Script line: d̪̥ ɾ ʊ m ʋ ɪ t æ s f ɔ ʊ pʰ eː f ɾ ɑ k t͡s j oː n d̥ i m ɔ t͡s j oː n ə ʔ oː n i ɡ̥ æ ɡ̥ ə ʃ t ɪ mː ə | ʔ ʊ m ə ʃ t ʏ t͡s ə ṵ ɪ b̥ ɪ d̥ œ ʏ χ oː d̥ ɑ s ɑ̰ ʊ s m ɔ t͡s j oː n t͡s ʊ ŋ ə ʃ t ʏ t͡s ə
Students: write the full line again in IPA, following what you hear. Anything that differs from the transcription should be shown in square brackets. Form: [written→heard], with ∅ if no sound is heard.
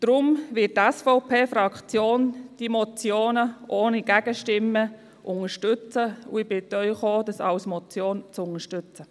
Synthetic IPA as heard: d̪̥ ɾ ʊ m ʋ ɪ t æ s f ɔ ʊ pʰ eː f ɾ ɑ k t͡s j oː n d̥ i m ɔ t͡s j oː n ə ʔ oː n i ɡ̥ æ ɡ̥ ə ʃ t ɪ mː ə | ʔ ʊ [m→ŋ] ə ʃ t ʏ t͡s ə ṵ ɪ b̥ ɪ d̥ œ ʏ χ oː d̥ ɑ s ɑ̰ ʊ s m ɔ t͡s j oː n t͡s ʊ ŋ ə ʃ t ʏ t͡s ə